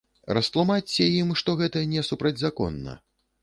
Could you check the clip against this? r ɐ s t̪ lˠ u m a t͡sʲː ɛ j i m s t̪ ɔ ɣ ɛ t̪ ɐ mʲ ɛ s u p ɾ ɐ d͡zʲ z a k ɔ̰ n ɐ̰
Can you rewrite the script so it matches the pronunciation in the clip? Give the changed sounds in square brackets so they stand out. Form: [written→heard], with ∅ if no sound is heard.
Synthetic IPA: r ɐ s t̪ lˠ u m a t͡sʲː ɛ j i m [s→ʂ] t̪ ɔ ɣ ɛ t̪ ɐ [mʲ→nʲ] ɛ s u p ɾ ɐ d͡zʲ z a k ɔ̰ [n→nː] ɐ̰